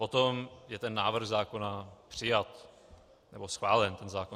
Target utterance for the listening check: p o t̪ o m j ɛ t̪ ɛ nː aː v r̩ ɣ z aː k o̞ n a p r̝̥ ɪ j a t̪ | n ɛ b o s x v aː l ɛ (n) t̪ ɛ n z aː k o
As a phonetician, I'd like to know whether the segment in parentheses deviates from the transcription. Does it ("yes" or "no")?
no